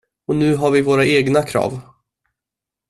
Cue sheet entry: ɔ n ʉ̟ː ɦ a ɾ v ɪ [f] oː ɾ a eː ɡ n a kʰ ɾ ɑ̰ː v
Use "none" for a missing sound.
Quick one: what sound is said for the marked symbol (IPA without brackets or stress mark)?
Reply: v